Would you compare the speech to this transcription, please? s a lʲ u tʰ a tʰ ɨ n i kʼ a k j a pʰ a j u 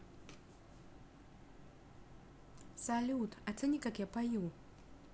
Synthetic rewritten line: s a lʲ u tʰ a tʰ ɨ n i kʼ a k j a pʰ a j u